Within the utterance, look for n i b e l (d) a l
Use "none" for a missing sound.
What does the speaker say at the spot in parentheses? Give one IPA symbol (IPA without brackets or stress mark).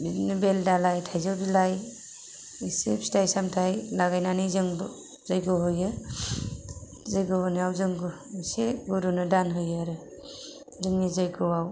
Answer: d